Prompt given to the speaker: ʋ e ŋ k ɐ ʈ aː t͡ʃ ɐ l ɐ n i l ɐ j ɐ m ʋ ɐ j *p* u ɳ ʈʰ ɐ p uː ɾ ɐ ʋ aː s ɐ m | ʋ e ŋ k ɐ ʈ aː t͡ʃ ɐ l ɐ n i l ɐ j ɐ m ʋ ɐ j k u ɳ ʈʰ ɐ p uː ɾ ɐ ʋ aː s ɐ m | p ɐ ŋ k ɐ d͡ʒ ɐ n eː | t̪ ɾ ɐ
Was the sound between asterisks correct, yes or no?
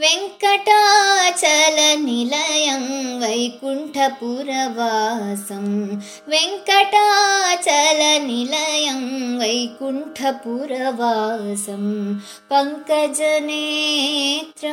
no